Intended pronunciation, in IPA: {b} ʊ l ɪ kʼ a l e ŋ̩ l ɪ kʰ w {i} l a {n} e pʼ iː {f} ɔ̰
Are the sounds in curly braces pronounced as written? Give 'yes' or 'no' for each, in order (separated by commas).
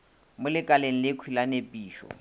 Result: no, yes, yes, no